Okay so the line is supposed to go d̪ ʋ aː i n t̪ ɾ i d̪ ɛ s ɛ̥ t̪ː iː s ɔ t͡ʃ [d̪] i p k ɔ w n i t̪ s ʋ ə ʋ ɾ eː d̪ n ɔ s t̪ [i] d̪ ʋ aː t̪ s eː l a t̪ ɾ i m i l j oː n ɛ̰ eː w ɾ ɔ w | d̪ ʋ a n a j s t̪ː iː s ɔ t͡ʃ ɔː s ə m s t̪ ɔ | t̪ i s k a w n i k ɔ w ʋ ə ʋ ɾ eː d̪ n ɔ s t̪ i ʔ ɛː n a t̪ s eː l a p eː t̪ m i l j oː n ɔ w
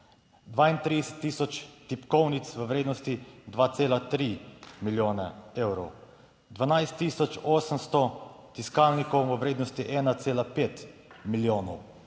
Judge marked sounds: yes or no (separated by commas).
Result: no, yes